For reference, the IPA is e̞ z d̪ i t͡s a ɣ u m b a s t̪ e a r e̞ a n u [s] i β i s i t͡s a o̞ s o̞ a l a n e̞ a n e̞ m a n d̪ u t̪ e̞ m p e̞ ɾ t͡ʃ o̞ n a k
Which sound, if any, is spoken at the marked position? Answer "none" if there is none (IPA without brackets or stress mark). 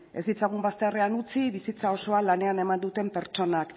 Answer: t͡s